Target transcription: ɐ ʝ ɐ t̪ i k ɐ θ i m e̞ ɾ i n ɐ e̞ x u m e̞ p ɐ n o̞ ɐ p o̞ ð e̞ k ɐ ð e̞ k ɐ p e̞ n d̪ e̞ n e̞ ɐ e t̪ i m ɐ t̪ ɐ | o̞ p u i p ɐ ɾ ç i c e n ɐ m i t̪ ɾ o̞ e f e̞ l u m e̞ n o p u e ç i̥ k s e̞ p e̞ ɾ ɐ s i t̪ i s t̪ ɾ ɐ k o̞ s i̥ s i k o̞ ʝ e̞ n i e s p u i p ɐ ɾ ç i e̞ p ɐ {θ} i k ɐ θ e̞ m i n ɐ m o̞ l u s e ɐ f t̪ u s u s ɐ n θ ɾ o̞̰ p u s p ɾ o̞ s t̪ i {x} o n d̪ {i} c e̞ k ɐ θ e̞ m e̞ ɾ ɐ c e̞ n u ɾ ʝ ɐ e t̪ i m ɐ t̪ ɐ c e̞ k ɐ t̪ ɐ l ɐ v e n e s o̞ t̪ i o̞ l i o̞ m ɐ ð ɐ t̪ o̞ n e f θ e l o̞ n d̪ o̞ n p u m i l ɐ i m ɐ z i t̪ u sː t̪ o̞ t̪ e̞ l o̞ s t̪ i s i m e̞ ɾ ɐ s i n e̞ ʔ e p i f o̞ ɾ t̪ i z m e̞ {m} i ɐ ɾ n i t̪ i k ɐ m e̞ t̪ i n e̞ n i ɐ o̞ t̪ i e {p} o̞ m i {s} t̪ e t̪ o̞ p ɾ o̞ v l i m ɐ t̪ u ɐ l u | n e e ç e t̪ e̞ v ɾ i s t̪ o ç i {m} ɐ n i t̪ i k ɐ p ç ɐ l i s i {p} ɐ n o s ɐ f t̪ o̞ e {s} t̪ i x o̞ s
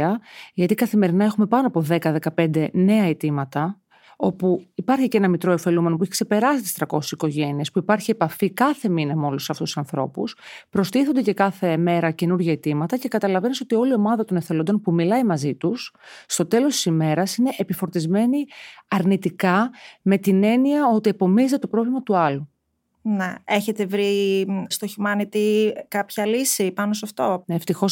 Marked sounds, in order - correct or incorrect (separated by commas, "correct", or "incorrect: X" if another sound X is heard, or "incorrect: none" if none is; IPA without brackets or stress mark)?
incorrect: f, incorrect: θ, incorrect: e, incorrect: n, correct, incorrect: z, correct, correct, incorrect: f